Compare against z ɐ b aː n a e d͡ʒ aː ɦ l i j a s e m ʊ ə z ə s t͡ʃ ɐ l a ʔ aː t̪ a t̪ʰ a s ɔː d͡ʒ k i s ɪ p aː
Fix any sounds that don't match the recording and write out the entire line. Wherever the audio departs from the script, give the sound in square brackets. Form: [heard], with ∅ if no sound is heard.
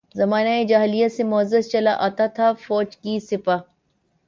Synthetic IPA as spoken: z ɐ [m] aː n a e d͡ʒ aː ɦ l i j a s e m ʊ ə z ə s t͡ʃ ɐ l a ʔ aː t̪ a t̪ʰ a [f] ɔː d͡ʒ k i s ɪ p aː